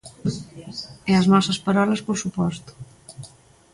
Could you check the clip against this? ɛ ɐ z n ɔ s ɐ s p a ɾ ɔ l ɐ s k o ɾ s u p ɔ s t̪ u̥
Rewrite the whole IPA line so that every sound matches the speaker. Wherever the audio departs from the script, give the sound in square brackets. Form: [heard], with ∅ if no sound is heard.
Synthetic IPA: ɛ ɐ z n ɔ s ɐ s p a ɾ ɔ l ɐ s [p] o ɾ s u p ɔ s t̪ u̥